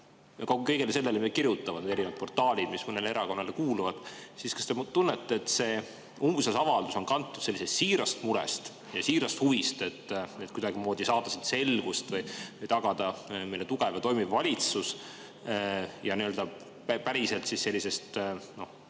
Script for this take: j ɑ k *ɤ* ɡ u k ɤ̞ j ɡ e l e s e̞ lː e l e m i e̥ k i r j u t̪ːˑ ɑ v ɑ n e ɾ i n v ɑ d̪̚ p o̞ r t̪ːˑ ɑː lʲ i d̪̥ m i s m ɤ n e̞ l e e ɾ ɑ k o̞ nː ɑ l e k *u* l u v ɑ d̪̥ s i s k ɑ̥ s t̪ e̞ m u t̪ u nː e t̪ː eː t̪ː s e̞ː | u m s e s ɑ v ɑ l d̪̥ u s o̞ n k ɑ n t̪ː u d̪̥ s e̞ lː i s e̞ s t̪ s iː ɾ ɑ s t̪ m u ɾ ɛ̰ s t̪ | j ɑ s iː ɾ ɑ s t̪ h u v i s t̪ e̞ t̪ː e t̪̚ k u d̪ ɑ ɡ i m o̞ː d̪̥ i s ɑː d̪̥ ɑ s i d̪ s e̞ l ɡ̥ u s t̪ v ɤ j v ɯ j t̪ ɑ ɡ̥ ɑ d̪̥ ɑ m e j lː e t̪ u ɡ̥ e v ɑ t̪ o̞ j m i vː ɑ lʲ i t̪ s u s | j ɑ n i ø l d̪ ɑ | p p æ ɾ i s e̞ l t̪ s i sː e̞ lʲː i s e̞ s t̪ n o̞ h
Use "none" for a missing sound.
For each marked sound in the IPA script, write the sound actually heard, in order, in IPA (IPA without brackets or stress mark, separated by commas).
o, uː